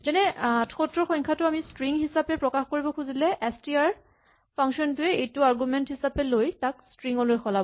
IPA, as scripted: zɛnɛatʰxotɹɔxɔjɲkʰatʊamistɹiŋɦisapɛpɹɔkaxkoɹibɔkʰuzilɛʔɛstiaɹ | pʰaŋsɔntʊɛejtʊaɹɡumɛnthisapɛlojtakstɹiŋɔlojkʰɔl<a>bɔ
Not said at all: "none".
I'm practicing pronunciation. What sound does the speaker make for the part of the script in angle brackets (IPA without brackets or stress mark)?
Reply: a